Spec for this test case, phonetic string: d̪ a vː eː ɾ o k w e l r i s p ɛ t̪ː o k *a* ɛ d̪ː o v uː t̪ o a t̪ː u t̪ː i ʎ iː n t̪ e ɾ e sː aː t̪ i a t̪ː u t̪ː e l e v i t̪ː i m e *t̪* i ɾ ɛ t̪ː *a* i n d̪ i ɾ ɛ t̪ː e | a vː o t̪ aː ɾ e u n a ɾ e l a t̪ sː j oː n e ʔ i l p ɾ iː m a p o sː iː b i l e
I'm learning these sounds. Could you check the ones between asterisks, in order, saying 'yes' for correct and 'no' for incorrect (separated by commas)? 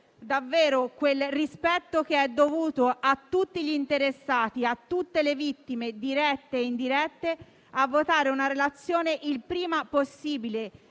no, no, no